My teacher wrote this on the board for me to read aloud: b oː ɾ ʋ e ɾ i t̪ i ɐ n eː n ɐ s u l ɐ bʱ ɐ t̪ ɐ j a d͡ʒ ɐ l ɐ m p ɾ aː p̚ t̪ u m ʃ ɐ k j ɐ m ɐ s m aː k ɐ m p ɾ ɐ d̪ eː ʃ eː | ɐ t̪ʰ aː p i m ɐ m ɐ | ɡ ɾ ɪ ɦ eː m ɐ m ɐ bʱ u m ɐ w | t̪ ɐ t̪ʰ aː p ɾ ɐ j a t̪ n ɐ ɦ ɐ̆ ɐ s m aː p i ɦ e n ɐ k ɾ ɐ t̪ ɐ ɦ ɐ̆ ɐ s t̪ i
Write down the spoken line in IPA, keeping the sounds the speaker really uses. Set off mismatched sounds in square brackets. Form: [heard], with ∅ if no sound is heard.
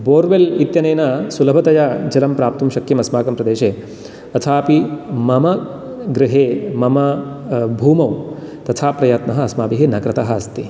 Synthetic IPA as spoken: b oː ɾ ʋ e [l] i t̪ [j] ɐ n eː n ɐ s u l ɐ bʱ ɐ t̪ ɐ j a d͡ʒ ɐ l ɐ m p ɾ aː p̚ t̪ u m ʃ ɐ k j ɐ m ɐ s m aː k ɐ m p ɾ ɐ d̪ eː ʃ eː | ɐ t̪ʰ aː p i m ɐ m ɐ | ɡ ɾ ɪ ɦ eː m ɐ m ɐ bʱ [uː] m ɐ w | t̪ ɐ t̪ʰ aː p ɾ ɐ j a t̪ n ɐ ɦ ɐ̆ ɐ s m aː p i ɦ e n ɐ k ɾ ɐ t̪ ɐ ɦ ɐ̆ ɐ s t̪ i